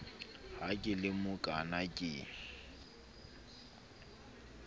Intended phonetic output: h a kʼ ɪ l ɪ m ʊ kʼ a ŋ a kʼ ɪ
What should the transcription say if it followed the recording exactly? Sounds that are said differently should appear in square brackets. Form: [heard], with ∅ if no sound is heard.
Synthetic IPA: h a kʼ ɪ l ɪ m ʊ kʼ a [n] a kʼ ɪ